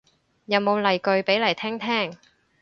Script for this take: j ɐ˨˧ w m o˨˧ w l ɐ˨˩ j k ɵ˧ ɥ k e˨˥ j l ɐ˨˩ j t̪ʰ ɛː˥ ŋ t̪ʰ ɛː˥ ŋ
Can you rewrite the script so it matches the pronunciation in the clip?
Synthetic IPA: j ɐ˨˧ w m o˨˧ w l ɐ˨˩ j k ɵ˧ ɥ p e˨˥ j l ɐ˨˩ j t̪ʰ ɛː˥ ŋ t̪ʰ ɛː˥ ŋ

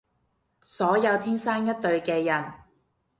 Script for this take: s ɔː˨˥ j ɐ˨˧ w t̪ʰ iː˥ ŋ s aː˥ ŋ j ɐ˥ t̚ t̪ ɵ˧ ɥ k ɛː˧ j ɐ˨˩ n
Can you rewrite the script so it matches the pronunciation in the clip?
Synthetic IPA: s ɔː˨˥ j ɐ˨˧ w t̪ʰ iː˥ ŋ s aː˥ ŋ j ɐ˥ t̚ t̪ ɵ˧ ɥ k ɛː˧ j ɐ˨˩ n

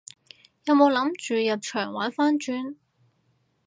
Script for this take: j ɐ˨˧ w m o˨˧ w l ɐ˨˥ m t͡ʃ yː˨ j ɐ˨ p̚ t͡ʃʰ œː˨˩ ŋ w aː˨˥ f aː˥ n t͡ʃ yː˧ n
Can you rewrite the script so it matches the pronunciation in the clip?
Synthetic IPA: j ɐ˨˧ w m o˨˧ w l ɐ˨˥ m t͡ʃ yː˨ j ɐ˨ p̚ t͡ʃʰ œː˨˩ ŋ w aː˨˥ f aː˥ n t͡ʃ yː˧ n

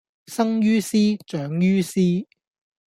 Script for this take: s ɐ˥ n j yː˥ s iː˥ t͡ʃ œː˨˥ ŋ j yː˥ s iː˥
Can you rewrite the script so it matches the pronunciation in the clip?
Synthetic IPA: s ɐ˥ ŋ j yː˥ s iː˥ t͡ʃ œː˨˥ ŋ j yː˥ s iː˥

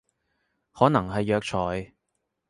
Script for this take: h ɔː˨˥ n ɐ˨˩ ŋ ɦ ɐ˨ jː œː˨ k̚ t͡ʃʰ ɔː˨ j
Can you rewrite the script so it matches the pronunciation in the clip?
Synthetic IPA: h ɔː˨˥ n ɐ˨˩ ŋ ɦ ɐ˨ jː œː˨ k̚ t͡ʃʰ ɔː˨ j

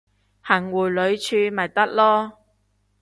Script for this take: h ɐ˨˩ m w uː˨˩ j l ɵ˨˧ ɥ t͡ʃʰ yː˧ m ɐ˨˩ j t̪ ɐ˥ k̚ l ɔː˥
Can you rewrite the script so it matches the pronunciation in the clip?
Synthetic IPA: h ɐ˨˩ ŋ w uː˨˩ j l ɵ˨˧ ɥ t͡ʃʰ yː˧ m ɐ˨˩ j t̪ ɐ˥ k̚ l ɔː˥

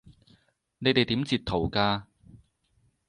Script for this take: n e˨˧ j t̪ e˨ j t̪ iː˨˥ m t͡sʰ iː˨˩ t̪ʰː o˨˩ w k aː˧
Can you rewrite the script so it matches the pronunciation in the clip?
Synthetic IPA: n e˨˧ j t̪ e˨ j t̪ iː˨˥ m t͡s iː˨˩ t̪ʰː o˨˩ w k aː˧

